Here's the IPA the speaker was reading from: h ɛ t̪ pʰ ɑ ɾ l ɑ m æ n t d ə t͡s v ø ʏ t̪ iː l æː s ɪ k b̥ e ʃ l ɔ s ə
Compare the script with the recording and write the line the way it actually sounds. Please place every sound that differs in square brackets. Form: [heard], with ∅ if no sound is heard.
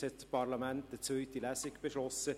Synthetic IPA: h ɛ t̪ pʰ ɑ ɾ l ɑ m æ n t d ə t͡s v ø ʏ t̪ [i] l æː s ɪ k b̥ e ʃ l ɔ s ə